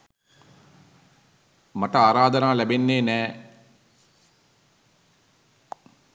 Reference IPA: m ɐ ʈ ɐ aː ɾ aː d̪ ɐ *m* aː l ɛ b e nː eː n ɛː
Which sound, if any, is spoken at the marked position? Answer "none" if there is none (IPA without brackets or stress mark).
n